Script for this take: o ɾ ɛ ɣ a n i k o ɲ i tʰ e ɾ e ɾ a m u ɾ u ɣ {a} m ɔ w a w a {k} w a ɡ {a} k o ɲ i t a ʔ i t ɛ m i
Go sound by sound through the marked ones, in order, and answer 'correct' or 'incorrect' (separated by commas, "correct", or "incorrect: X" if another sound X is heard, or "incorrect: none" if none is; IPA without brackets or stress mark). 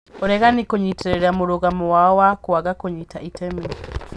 correct, correct, correct